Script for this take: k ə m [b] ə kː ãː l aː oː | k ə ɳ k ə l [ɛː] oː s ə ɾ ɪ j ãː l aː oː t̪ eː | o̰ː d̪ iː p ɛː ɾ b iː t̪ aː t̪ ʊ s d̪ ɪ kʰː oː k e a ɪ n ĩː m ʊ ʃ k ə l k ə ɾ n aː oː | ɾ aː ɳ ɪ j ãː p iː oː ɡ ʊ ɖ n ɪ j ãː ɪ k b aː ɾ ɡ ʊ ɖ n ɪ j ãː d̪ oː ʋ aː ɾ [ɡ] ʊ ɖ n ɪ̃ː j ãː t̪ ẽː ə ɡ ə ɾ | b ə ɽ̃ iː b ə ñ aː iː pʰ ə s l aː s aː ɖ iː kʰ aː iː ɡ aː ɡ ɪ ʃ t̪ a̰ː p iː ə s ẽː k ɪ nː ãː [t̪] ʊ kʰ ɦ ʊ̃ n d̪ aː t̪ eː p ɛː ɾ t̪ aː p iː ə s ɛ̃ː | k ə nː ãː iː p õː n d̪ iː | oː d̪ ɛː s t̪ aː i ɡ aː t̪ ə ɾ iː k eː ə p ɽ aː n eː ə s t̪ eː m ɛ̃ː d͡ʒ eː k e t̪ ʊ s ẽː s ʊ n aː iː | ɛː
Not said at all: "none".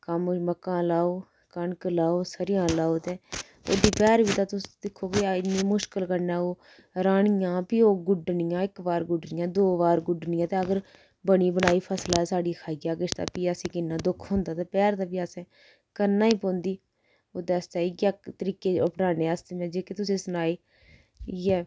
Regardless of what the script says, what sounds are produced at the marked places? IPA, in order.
m, aː, ɡ, d̪

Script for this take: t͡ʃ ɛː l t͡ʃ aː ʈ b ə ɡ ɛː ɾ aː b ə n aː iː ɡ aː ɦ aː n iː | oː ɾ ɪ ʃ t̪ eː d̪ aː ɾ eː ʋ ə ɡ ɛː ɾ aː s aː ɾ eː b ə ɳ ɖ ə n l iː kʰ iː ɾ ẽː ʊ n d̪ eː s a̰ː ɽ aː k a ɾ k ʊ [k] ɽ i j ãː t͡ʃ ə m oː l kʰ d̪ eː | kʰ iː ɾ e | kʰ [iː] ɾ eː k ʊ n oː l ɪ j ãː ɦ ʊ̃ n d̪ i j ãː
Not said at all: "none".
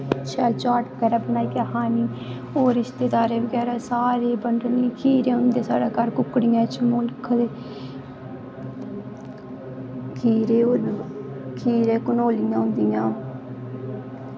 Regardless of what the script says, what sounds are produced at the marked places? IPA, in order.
k, iː

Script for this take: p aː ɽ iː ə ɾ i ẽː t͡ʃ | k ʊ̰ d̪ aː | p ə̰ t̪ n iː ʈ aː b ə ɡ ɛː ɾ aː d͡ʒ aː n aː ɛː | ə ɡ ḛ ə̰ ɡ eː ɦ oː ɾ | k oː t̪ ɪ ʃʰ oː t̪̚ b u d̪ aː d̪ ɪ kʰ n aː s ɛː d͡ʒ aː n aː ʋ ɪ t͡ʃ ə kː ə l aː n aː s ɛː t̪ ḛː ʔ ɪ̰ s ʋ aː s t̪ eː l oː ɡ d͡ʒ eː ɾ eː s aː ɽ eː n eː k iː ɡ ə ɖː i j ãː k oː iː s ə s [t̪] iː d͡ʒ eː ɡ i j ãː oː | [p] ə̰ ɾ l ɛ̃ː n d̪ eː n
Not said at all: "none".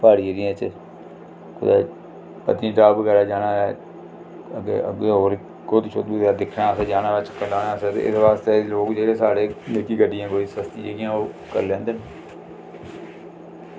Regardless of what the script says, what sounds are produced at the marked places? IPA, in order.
t̪, k

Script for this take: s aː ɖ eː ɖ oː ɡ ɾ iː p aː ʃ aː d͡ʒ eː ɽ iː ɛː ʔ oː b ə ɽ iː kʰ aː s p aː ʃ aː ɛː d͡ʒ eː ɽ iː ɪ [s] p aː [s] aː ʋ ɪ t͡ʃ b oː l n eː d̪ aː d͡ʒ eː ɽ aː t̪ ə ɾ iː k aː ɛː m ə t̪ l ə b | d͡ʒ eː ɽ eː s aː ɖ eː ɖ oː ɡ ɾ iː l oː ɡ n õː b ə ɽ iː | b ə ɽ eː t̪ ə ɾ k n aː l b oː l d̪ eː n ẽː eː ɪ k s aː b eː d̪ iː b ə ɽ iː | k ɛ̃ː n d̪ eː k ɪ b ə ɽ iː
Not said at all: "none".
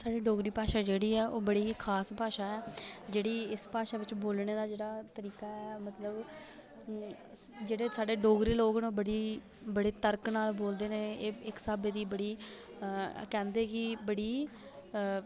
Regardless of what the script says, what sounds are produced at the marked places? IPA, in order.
s, ʃ

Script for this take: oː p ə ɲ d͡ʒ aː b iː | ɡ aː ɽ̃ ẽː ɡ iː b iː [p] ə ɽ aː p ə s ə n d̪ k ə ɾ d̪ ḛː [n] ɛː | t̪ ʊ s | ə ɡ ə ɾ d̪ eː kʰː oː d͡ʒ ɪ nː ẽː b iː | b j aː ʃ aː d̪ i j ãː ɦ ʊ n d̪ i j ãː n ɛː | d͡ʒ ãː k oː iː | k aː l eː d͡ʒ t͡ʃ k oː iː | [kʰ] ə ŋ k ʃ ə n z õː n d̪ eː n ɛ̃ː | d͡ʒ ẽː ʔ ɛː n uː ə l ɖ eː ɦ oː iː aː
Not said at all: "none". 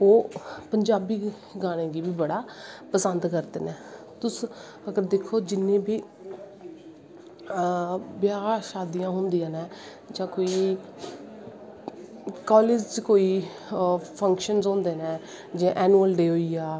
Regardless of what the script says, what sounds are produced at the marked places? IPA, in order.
b, n, pʰ

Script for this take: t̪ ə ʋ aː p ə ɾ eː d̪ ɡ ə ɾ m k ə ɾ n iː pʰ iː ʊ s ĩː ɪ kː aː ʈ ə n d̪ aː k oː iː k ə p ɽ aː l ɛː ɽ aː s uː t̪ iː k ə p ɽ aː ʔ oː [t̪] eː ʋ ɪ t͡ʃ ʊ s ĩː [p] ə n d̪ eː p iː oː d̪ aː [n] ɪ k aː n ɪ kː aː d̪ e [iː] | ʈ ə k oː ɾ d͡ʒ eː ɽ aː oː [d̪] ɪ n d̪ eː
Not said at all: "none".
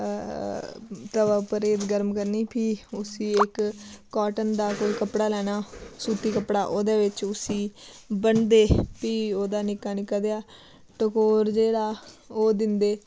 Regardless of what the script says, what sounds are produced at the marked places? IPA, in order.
d̪, b, n, aː, d̪

